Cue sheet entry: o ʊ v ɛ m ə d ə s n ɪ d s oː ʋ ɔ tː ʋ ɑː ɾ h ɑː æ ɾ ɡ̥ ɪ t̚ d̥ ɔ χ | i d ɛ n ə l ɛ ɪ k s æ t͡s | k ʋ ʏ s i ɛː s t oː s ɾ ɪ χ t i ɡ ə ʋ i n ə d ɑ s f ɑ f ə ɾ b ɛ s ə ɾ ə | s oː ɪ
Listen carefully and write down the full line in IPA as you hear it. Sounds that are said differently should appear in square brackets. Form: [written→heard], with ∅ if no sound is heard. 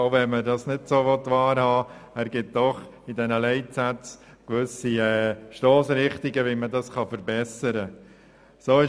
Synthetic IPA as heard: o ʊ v ɛ m ə d [ə→ɑ] s n ɪ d s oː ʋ ɔ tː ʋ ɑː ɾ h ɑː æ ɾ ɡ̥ ɪ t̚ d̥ ɔ χ | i d ɛ n ə l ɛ ɪ [k→t] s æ t͡s | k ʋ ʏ s i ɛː [s→ʃ] t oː s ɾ ɪ χ t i ɡ ə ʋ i [n→m] ə d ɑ s [f→χ] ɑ f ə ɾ b ɛ s ə ɾ ə | s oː ɪ